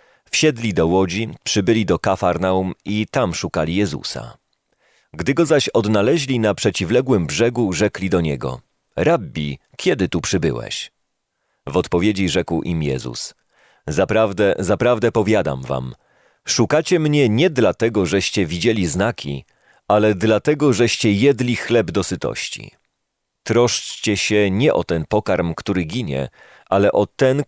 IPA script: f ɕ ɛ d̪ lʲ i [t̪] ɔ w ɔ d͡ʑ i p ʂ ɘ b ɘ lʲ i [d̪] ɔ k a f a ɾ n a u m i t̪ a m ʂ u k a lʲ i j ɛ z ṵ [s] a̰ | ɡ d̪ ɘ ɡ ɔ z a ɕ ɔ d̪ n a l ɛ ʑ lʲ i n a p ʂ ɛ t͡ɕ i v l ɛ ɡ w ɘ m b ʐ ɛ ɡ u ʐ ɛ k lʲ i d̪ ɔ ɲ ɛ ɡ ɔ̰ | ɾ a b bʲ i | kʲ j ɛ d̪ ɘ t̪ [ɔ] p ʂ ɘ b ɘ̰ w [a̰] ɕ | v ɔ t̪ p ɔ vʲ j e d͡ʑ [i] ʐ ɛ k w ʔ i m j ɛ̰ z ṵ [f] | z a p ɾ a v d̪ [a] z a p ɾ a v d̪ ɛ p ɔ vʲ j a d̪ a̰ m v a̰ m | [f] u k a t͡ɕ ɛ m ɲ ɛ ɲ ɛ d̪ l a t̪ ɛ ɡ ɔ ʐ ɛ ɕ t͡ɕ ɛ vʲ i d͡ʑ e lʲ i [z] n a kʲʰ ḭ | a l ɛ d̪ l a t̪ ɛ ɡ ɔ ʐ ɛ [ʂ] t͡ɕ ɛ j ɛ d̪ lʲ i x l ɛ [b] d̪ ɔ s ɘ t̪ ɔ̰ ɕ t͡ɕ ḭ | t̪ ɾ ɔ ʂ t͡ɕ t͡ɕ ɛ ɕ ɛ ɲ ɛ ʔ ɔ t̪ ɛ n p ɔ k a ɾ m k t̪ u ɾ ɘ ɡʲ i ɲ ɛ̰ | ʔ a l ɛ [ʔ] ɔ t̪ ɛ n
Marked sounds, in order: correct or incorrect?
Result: incorrect, correct, correct, incorrect, incorrect, correct, incorrect, incorrect, incorrect, correct, incorrect, correct, correct

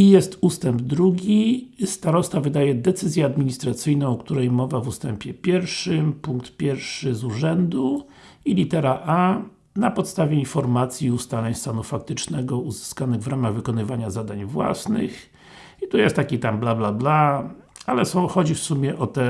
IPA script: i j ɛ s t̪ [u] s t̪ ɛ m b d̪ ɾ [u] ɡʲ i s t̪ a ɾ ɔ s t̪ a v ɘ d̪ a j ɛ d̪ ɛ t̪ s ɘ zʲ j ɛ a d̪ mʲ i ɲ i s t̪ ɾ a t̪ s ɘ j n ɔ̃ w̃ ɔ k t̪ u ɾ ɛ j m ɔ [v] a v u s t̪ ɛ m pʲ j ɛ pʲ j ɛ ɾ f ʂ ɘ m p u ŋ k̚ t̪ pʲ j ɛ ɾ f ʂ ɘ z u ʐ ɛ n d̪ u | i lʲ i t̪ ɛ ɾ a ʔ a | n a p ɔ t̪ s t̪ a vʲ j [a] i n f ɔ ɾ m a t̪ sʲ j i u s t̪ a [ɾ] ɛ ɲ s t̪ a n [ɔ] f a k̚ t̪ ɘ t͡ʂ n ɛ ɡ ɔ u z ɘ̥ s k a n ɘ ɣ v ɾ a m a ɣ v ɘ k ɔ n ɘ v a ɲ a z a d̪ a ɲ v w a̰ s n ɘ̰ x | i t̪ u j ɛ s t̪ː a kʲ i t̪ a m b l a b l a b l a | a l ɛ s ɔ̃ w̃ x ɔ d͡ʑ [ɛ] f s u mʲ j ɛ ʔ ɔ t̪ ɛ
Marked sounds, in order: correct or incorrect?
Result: correct, correct, correct, incorrect, incorrect, incorrect, incorrect

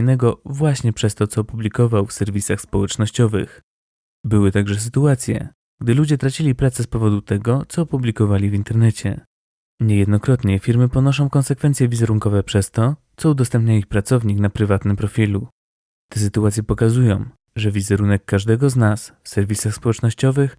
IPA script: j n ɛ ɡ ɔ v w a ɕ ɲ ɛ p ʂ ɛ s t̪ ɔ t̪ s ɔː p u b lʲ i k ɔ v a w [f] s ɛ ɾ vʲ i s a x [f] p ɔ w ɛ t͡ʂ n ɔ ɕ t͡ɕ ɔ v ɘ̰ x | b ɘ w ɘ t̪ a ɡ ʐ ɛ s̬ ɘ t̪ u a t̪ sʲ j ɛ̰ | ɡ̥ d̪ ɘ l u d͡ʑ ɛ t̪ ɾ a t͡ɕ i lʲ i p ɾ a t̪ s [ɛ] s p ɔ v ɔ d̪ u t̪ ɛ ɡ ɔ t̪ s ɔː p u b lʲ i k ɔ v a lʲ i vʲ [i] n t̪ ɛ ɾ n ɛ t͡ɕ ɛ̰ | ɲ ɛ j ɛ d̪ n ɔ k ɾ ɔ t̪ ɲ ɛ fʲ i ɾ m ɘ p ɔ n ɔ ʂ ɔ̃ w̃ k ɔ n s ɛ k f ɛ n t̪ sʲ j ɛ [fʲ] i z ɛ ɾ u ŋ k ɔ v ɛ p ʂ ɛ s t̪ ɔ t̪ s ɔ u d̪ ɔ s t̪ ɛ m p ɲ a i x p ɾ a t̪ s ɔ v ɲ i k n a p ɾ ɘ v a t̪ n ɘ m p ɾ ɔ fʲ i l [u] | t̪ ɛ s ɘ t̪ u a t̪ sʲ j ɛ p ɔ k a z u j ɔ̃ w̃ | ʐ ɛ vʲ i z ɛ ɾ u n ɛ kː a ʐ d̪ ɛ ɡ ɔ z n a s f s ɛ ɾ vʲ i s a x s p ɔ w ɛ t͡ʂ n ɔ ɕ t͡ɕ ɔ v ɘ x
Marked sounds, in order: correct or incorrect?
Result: correct, incorrect, correct, correct, incorrect, correct

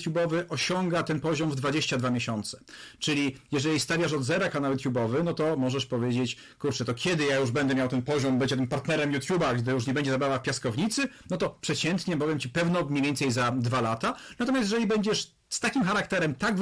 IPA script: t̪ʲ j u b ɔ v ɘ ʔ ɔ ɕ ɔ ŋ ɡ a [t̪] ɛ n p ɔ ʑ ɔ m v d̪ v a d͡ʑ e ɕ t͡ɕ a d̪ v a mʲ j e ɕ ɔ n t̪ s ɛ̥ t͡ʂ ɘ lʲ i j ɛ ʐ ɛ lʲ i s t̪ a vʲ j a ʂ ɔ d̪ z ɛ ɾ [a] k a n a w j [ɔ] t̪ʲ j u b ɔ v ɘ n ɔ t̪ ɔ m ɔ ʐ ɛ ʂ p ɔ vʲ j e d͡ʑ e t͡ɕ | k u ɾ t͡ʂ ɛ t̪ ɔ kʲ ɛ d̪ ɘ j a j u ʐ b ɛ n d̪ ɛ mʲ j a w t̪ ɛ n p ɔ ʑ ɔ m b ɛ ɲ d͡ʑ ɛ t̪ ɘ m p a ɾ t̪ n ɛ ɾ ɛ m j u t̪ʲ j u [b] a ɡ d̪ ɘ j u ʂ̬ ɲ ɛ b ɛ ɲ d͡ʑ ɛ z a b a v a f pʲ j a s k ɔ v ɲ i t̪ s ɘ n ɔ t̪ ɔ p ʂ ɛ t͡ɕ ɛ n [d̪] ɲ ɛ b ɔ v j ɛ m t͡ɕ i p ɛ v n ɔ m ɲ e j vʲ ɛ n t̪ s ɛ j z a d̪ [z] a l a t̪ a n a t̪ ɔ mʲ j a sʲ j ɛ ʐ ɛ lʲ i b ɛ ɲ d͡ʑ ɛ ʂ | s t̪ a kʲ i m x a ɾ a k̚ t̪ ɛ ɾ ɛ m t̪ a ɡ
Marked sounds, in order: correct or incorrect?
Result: correct, correct, incorrect, correct, incorrect, incorrect

